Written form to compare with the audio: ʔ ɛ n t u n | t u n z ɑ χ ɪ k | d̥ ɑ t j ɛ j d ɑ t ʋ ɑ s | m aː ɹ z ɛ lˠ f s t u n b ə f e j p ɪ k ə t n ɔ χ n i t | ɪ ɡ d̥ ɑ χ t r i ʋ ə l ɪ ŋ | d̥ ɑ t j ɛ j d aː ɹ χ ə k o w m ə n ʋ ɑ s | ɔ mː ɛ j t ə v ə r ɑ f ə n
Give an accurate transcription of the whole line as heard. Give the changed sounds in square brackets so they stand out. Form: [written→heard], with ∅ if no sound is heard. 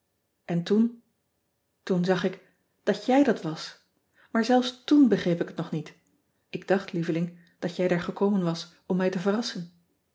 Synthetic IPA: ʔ ɛ n t u n | t u n z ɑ χ ɪ k | d̥ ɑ t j ɛ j d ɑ t ʋ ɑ s | m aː ɹ z ɛ lˠ f s t u n b ə [f→χ] e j p ɪ k ə t n ɔ χ n i t | ɪ ɡ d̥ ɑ χ t [r→l] i [ʋ→v] ə l ɪ ŋ | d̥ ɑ t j ɛ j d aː ɹ χ ə k o w m ə n ʋ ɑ s | ɔ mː ɛ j t ə v ə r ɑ [f→s] ə n